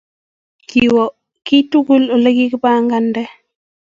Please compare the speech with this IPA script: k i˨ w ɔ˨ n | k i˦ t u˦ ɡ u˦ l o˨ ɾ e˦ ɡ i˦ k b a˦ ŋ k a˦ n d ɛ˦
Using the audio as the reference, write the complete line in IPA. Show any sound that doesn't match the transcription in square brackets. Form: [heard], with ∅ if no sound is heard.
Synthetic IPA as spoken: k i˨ w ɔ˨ [∅] | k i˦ t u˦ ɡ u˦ l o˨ [l] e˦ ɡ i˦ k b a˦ ŋ [ɡ] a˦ n d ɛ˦